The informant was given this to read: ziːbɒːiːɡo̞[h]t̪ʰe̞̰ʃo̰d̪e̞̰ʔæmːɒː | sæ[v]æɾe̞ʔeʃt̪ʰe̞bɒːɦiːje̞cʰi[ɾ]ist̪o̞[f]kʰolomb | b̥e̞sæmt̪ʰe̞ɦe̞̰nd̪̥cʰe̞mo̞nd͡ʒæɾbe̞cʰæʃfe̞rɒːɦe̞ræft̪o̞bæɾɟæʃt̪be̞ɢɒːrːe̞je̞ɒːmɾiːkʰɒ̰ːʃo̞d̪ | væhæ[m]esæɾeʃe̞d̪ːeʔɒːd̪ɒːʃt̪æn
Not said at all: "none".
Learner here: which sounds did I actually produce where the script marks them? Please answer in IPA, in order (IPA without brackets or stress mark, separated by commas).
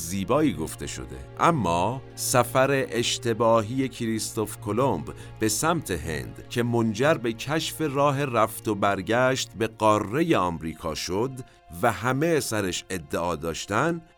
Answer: f, f, ɾ, f, m